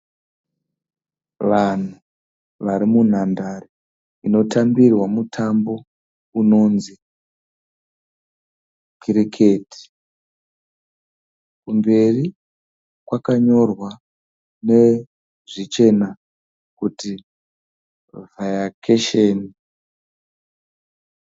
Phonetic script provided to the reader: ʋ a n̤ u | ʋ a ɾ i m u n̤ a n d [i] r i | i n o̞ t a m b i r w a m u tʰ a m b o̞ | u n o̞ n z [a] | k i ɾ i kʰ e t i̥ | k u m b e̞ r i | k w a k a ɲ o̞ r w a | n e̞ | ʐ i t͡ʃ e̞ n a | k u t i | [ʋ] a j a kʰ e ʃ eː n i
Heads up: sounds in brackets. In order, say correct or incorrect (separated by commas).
incorrect, incorrect, incorrect